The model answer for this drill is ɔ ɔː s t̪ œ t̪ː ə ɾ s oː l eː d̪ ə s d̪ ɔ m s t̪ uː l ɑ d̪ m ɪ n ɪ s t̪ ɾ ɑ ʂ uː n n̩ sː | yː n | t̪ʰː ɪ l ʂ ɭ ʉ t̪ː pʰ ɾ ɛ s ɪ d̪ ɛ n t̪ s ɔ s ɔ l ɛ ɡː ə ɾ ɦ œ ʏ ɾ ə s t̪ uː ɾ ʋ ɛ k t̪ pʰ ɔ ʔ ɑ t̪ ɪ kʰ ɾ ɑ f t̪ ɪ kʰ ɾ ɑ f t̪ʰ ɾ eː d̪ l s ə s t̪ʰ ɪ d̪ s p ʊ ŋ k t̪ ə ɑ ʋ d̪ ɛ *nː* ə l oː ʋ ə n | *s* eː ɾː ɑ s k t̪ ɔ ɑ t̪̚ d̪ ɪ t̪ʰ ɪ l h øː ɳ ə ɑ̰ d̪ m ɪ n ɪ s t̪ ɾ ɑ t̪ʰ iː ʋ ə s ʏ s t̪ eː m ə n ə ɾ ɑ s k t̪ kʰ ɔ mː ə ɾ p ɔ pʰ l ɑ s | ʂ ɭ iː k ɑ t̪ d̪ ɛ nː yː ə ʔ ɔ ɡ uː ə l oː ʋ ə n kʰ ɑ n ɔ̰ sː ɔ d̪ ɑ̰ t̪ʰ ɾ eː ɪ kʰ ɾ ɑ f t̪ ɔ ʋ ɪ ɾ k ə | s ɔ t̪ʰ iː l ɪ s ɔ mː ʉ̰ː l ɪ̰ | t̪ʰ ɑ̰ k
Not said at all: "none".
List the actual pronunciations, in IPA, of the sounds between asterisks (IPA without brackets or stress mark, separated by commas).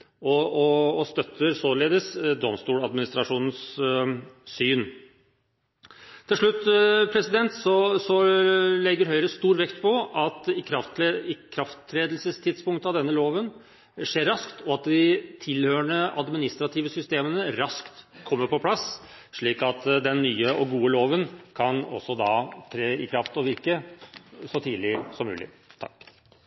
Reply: nː, ʂ